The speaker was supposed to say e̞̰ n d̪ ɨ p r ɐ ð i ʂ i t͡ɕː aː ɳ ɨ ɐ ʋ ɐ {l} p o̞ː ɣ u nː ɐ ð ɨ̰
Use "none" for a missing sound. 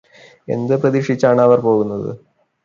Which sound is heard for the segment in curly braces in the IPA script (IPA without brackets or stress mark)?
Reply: r